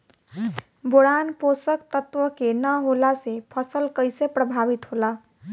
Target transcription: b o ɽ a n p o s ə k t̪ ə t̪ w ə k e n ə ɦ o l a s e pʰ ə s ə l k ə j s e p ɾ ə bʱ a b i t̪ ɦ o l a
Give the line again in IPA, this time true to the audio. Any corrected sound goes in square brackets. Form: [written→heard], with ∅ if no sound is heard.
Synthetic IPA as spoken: b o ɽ a n p o s ə k t̪ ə t̪ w ə k e n ə ɦ o l a s e pʰ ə s ə l k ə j s e p ɾ ə bʱ a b i t̪ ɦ o l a